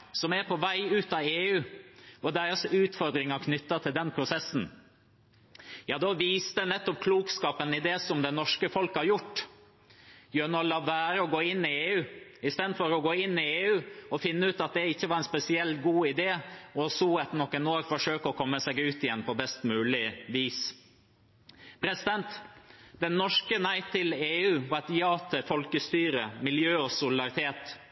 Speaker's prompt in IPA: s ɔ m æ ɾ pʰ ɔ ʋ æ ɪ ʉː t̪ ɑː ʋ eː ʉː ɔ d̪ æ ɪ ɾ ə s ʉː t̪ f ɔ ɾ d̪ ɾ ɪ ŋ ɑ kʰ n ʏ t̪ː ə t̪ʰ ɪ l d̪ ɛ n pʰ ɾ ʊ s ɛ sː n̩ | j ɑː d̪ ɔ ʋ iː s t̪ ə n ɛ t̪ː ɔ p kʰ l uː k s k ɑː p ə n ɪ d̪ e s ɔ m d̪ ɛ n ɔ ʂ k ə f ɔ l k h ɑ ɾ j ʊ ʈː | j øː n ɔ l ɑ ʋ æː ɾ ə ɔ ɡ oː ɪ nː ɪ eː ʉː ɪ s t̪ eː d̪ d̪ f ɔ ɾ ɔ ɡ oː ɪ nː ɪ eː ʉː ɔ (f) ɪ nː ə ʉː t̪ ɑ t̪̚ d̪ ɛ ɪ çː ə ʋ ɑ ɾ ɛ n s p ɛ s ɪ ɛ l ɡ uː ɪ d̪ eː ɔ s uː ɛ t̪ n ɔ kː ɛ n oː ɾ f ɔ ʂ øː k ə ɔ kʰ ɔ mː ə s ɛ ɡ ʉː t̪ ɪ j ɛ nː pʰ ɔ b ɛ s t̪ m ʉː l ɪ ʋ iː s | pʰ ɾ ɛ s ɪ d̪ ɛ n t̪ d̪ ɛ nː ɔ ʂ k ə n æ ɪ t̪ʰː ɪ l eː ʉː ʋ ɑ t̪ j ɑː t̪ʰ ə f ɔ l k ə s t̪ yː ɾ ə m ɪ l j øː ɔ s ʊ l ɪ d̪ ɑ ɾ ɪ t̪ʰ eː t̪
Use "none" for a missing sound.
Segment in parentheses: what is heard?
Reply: f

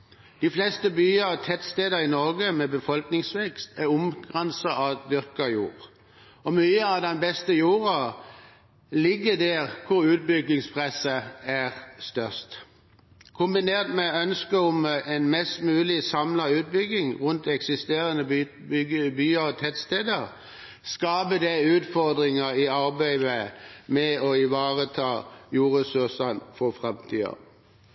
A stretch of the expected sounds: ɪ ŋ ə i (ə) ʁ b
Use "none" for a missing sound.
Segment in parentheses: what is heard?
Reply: ɑ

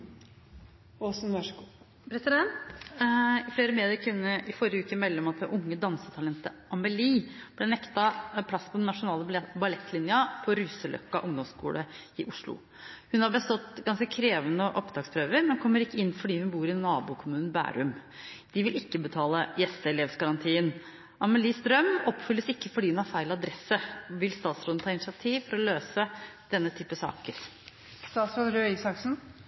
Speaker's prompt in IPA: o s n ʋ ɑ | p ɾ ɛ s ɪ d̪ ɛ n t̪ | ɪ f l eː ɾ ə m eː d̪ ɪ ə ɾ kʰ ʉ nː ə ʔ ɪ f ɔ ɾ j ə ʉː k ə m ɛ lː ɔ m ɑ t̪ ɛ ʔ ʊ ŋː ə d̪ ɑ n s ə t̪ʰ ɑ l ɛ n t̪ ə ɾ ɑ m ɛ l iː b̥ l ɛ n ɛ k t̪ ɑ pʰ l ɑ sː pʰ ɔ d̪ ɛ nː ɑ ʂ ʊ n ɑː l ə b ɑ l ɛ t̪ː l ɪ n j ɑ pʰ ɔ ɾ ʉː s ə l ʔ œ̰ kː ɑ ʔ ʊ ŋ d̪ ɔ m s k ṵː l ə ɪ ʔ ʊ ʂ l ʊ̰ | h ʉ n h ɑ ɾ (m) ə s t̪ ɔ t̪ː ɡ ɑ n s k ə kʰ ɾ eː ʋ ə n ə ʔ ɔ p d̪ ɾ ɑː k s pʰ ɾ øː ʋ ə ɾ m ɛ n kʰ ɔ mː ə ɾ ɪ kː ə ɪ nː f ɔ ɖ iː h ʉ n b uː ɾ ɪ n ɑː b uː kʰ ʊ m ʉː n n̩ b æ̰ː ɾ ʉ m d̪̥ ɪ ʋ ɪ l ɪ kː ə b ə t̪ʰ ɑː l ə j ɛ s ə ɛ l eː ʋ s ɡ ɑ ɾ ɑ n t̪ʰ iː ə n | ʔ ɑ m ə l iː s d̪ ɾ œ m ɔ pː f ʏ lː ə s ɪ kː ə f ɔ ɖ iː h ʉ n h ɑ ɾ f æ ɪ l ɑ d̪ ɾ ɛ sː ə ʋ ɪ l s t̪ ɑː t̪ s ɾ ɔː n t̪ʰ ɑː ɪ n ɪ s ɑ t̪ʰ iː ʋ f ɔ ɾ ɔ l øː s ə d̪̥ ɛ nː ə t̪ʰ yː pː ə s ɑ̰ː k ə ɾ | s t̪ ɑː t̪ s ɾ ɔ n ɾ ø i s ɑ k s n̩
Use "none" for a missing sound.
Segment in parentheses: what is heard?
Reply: b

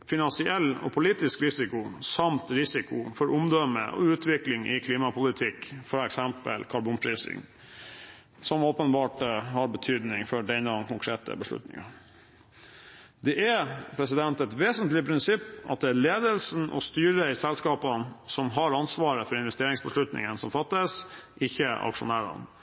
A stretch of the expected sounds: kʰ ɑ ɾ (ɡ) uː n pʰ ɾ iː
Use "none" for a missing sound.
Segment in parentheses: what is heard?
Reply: b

